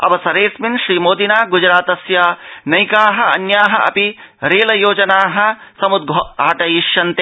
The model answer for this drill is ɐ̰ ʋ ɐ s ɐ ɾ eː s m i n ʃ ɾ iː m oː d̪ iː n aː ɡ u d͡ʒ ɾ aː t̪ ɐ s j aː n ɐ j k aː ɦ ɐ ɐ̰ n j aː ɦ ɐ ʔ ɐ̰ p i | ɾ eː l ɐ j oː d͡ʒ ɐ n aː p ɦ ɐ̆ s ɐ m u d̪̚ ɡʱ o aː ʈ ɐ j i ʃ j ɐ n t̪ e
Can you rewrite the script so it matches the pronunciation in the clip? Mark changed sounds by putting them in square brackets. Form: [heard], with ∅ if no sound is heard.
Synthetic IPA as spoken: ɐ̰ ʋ ɐ s ɐ ɾ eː s m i n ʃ ɾ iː m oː d̪ [i] n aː ɡ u d͡ʒ ɾ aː t̪ ɐ s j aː n ɐ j k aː ɦ ɐ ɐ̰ n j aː ɦ ɐ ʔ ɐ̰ p i | ɾ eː l ɐ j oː d͡ʒ ɐ n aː [∅] ɦ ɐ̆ s ɐ m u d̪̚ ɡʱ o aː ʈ ɐ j i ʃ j ɐ n t̪ e